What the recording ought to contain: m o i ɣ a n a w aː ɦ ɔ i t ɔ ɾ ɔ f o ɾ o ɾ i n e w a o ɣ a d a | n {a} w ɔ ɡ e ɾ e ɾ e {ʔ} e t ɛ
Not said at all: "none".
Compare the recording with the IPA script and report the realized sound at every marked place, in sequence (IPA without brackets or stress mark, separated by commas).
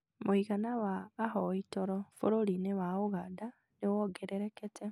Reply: e, k